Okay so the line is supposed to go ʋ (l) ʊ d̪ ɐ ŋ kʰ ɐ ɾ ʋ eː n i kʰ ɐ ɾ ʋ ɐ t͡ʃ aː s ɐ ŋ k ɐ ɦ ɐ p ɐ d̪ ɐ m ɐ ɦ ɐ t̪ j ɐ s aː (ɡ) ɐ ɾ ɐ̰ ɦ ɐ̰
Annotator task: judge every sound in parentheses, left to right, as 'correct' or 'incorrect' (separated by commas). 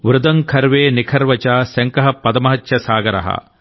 incorrect, correct